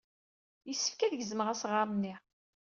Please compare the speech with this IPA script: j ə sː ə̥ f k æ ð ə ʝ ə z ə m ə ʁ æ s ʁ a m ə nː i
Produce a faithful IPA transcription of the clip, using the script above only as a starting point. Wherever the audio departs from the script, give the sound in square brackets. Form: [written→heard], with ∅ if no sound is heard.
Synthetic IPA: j ə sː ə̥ f k æ ð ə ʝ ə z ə m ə ʁ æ s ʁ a m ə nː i